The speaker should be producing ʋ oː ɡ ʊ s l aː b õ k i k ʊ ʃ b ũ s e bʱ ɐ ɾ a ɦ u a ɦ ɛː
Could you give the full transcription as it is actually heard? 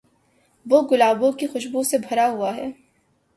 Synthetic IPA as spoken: ʋ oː ɡ ʊ l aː b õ k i x ʊ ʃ b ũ s e bʱ ɐ ɾ a ɦ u a ɦ ɛː